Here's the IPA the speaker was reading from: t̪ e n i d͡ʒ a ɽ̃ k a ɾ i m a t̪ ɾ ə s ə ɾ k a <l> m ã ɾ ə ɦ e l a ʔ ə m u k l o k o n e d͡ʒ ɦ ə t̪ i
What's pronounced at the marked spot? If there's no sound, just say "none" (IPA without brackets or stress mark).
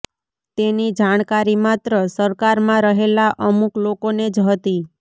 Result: ɾ